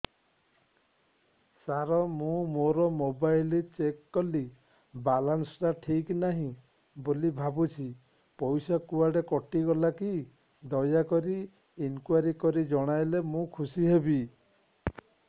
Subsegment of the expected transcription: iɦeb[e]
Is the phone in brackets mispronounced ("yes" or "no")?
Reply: yes